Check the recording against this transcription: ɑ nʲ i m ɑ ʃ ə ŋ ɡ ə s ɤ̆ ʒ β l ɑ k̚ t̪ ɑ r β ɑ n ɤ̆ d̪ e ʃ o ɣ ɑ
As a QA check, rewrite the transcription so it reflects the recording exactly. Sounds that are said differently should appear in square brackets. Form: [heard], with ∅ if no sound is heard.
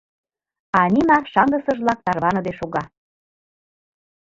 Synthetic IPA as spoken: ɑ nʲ i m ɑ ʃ [ɑ] ŋ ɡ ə s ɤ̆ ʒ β l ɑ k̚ t̪ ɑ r β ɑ n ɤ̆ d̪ e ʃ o ɣ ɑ